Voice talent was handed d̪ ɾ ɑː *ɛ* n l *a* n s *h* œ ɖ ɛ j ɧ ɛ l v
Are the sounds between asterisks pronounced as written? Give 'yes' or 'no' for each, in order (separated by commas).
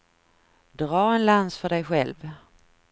yes, yes, no